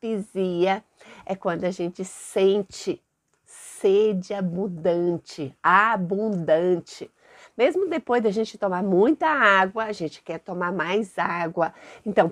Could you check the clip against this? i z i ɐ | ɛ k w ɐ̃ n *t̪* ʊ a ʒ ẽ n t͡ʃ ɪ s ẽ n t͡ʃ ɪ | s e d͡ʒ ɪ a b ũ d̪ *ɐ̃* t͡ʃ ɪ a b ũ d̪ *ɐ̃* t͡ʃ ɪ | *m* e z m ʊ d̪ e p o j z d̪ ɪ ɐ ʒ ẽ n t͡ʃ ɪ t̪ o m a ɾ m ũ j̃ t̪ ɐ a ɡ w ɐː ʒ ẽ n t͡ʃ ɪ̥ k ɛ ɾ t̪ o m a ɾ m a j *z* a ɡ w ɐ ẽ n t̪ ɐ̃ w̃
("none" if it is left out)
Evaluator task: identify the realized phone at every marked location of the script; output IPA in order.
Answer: d̪, ɐ̃, ɐ̃, m, z

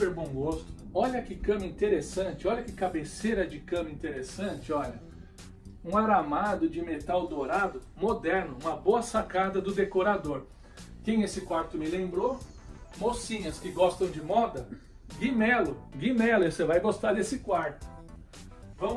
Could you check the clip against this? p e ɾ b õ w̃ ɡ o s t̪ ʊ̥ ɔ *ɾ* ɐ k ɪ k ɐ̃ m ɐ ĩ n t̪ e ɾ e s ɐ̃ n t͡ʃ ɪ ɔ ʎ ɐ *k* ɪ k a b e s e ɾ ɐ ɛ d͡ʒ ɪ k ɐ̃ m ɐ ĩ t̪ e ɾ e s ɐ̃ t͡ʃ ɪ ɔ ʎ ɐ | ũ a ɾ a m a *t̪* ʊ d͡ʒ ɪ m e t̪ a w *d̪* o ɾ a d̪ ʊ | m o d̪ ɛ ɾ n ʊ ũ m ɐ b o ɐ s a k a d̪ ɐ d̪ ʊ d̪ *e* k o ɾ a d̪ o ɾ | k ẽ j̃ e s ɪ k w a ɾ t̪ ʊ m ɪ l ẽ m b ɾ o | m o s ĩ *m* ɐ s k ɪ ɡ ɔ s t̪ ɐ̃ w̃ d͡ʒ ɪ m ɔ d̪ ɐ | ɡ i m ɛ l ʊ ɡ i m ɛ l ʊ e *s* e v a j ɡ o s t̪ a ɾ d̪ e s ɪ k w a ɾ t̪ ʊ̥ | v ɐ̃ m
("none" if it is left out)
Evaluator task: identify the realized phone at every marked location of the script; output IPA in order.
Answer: ʎ, k, d̪, d̪, e, ɲ, s

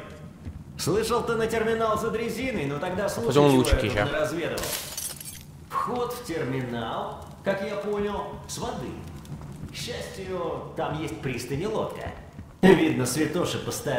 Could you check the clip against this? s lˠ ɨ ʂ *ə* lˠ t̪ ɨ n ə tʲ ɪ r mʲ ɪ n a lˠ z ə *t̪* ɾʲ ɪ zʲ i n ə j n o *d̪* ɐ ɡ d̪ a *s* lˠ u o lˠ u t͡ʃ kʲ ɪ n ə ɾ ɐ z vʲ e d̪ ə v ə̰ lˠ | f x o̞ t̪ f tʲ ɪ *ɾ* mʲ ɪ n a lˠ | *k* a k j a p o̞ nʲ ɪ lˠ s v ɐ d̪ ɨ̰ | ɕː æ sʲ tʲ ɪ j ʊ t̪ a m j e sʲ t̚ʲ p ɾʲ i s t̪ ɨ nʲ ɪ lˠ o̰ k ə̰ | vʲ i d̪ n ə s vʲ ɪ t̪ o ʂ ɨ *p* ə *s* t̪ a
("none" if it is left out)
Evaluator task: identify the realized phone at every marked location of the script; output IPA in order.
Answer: ə, d̪, t̪, s, r, k, p, s

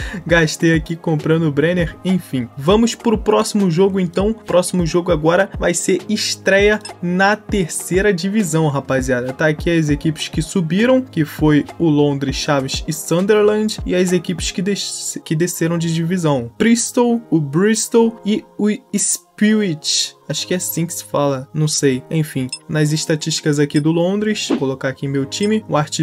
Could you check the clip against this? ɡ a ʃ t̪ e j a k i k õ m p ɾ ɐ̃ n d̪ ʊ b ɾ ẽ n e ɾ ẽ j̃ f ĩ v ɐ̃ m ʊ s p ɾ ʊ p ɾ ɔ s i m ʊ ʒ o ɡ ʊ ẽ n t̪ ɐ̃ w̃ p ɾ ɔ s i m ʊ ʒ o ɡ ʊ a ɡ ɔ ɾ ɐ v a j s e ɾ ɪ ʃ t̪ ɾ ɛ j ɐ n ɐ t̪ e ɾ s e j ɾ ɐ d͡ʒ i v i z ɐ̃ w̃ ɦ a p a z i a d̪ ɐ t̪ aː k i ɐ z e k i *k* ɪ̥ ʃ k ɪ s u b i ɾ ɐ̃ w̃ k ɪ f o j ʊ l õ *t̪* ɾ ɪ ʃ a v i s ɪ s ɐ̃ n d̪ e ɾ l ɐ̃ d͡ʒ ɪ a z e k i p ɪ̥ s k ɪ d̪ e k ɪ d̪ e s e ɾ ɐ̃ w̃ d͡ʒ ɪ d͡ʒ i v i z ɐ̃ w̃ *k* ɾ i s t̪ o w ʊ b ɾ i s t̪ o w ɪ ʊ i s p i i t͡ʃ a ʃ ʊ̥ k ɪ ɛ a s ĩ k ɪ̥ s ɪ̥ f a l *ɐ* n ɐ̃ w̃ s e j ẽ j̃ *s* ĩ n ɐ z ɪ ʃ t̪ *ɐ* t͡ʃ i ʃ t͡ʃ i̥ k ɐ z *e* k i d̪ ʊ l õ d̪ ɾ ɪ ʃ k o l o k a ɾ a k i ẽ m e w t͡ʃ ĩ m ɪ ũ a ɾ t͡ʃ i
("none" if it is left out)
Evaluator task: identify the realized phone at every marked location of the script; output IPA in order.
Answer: p, d̪, p, ɐ, f, a, a

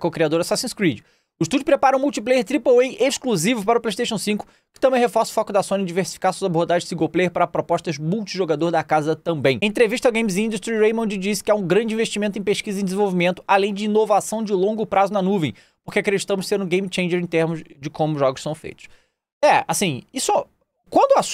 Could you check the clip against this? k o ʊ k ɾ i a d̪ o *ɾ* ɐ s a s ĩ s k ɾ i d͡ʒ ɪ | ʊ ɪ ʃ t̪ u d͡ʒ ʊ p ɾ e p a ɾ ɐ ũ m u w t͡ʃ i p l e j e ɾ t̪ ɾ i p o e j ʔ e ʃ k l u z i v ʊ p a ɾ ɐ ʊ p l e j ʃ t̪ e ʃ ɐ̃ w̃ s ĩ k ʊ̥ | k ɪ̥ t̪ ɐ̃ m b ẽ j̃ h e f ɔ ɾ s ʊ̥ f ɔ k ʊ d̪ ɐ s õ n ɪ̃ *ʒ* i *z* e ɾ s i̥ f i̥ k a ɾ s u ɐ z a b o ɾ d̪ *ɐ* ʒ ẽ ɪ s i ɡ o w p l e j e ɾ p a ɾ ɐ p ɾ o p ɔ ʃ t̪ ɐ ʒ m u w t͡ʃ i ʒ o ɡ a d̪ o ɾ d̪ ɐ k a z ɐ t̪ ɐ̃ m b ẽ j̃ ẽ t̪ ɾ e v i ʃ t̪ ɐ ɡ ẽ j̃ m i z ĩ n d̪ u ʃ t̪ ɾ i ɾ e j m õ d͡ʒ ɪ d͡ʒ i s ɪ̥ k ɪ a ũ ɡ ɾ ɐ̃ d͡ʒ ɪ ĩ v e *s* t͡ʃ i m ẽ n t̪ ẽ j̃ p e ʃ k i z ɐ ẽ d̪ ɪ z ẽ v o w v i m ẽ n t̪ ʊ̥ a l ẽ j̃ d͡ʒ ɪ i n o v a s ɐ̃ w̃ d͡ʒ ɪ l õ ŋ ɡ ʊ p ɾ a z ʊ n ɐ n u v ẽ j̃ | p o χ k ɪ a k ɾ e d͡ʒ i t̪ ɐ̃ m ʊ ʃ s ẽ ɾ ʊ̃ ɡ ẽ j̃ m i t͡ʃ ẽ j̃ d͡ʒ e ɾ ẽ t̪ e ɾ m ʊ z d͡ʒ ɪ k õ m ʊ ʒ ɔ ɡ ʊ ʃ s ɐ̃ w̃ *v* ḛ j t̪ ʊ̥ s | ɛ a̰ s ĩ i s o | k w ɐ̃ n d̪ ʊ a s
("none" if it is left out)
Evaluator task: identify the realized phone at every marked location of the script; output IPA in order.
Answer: ɾ, d͡ʒ, v, a, ʃ, f

